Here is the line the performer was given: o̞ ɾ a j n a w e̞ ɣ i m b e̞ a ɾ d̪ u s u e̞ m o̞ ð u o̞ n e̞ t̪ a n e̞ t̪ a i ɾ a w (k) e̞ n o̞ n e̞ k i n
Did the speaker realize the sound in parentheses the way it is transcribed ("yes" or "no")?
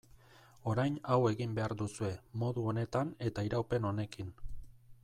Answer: no